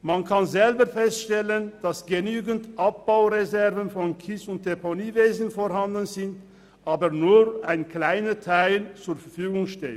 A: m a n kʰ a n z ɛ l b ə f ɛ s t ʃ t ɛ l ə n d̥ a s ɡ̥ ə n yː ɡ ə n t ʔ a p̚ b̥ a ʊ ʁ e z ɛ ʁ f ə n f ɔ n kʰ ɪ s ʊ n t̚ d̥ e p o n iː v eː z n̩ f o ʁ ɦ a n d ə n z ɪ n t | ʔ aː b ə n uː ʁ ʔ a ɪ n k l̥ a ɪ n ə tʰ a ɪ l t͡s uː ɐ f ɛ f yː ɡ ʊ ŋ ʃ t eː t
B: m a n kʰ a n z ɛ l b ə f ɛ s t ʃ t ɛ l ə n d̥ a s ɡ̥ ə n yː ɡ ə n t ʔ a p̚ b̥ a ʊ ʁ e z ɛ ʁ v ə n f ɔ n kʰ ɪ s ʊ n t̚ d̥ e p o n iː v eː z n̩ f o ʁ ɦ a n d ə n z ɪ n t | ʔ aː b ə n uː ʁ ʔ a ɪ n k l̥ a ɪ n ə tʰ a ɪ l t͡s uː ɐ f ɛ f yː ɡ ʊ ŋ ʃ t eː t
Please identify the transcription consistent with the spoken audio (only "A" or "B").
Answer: B